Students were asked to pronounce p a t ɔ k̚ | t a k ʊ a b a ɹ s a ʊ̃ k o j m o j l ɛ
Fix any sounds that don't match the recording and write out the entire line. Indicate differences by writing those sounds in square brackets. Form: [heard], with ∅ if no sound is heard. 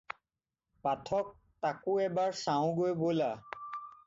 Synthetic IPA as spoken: p a [tʰ] ɔ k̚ | t a k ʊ [ɛ] b a ɹ s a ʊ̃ [ɡ] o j [b] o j l [a]